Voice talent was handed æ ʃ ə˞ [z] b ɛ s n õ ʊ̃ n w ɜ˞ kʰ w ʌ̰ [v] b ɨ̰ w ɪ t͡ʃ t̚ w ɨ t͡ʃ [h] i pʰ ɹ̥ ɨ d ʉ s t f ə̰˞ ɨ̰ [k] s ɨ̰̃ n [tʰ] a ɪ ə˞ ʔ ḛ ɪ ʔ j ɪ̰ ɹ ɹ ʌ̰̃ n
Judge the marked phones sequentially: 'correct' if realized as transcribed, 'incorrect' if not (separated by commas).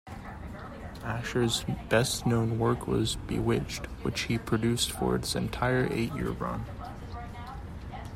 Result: correct, incorrect, correct, incorrect, correct